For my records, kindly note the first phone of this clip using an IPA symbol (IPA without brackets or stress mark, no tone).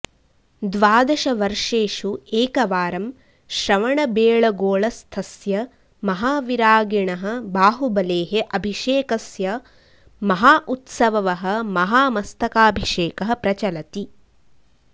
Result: d̪